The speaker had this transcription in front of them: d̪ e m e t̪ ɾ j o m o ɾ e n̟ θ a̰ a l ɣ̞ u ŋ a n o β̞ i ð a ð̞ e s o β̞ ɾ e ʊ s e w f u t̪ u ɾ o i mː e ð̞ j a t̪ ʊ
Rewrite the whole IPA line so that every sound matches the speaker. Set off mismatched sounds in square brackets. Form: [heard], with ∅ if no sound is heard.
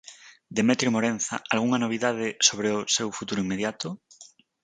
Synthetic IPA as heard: d̪ e m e t̪ ɾ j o m o ɾ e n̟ θ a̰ a l ɣ̞ u ŋ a n o β̞ i ð a ð̞ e s o β̞ ɾ e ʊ s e w f u t̪ u ɾ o i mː e ð̞ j a t̪ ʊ